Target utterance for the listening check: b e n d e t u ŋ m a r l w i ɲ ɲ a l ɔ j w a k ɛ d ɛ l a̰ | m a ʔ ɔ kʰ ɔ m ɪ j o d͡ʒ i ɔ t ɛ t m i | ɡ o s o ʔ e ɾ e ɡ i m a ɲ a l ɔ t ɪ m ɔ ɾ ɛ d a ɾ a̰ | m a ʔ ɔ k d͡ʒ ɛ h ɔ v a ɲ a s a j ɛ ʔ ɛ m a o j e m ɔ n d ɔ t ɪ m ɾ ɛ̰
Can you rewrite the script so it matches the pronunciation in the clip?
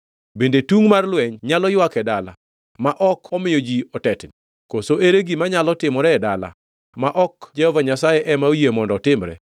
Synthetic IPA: b e n d e t u ŋ m a r l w ɛ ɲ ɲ a l ɔ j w a k ɛ d a l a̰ | m a ʔ ɔ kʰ ɔ m ɪ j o d͡ʒ i ɔ t ɛ t n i | k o s o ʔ e ɾ e ɡ i m a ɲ a l ɔ t ɪ m ɔ ɾ ɛ d a l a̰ | m a ʔ ɔ k d͡ʒ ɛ h ɔ v a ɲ a s a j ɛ ʔ ɛ m a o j e m ɔ n d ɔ t ɪ m ɾ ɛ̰